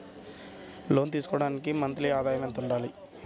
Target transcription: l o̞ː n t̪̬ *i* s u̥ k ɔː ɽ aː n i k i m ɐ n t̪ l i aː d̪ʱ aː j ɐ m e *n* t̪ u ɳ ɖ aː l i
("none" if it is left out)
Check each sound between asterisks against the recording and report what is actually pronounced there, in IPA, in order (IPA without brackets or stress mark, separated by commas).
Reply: iː, n